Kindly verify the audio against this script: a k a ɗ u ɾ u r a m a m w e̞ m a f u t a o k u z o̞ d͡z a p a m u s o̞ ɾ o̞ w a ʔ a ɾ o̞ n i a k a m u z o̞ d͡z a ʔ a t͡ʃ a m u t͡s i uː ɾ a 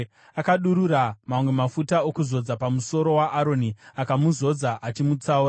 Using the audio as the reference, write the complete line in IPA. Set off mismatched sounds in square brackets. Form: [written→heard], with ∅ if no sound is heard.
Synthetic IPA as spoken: a k a ɗ u ɾ u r a m a m w e̞ m a f u t a o k u z o̞ d͡z a p a m u s o̞ ɾ o̞ w a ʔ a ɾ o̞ n i a k a m u z o̞ d͡z a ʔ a t͡ʃ [a→i] m u t͡s [i→a] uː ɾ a